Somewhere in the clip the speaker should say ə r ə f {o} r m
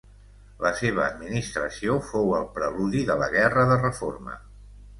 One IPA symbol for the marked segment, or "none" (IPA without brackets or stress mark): o